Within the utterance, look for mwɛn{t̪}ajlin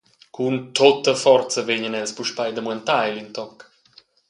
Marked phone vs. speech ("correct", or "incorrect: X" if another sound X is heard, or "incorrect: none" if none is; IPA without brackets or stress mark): correct